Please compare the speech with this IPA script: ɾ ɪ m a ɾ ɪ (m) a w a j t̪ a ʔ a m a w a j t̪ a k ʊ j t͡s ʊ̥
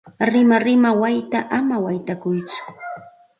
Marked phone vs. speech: correct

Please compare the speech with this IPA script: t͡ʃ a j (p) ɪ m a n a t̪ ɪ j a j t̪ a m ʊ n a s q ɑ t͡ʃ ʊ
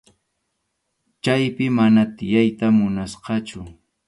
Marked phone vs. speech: correct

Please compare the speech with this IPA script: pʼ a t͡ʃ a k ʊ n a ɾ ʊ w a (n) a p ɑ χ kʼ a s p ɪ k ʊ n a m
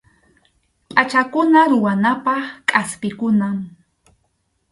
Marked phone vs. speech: correct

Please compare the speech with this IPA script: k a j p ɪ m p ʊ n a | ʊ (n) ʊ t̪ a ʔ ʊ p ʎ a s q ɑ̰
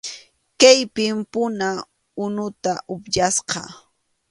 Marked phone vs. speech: correct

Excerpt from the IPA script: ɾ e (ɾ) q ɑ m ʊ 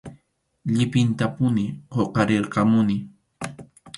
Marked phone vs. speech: correct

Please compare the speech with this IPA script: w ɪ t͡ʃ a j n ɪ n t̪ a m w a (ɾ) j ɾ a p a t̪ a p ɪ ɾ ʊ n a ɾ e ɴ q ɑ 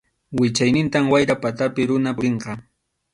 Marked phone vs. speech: incorrect: none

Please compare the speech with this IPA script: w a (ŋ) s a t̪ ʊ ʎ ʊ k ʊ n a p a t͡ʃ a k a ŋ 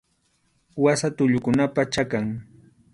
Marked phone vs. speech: incorrect: none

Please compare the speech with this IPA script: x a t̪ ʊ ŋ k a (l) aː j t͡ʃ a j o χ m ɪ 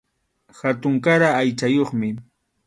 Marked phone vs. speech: incorrect: ɾ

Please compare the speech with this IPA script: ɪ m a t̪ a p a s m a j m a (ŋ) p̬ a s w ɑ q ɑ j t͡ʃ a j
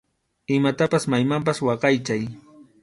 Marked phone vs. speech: incorrect: m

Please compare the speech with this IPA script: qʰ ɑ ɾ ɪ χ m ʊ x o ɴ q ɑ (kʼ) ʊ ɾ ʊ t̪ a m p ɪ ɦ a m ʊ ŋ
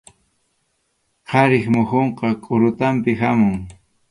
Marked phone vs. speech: correct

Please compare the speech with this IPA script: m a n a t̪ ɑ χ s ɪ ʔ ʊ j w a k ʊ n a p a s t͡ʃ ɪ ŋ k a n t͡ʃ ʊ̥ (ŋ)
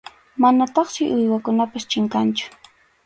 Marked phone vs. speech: incorrect: none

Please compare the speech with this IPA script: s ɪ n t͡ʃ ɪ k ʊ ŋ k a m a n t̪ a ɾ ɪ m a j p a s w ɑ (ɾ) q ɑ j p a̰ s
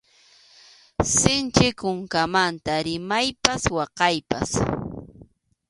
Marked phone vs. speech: incorrect: none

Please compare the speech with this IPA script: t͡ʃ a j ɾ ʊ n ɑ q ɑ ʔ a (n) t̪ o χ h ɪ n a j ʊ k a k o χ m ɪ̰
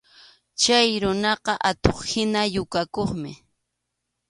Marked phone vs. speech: incorrect: none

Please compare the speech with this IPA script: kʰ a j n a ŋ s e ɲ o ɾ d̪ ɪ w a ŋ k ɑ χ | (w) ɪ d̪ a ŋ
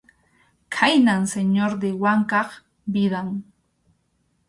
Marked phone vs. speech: incorrect: b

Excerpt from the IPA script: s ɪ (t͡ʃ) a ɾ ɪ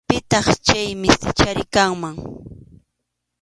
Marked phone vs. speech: correct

